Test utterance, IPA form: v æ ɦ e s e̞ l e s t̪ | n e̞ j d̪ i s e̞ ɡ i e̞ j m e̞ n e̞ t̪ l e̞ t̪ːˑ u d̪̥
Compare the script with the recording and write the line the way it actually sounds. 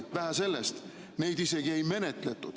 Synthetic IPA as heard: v æ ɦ æ s e̞ lː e s t̪ | n e̞ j d̪ i s e̞ ɡ i e̞ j m e̞ n e̞ t̪ l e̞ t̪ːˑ u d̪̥